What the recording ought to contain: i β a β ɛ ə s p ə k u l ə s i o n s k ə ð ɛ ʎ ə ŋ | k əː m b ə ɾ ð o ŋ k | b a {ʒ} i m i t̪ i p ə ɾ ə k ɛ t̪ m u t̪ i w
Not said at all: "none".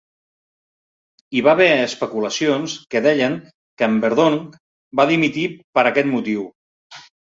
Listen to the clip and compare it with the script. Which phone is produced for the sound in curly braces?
ð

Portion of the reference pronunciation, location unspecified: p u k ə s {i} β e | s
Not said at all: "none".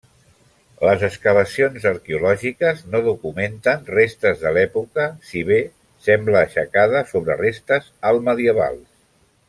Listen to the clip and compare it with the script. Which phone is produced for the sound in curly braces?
i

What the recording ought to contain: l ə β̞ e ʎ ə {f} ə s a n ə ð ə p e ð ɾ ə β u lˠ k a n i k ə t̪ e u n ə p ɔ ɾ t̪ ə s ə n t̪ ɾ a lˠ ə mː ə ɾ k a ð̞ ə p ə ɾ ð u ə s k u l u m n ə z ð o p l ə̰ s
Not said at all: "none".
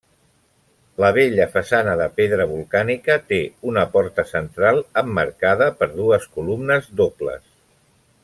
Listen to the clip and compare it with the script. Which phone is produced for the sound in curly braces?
f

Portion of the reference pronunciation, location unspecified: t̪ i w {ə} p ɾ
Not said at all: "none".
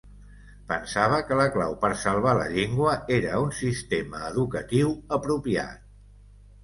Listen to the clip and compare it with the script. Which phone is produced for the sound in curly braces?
ə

